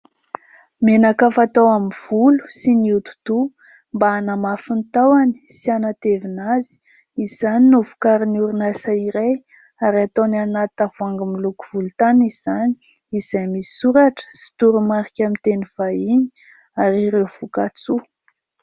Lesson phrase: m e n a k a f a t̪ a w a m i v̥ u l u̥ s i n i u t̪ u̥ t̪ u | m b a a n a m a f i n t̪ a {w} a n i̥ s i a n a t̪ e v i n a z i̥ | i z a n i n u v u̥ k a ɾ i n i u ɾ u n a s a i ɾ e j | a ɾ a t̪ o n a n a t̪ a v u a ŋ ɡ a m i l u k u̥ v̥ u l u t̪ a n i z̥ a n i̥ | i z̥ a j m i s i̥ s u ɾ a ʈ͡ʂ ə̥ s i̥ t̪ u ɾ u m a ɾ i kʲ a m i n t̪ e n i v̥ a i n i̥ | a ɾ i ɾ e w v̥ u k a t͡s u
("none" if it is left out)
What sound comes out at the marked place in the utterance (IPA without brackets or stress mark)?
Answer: w